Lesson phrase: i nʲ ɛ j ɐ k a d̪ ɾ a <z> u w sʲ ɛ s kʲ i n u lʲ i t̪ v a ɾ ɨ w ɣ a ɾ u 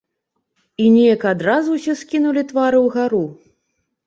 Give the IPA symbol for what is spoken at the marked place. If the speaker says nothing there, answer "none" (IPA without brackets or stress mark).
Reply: z